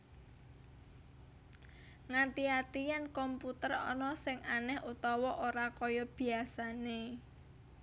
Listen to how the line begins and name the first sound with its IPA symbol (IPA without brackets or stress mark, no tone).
ŋ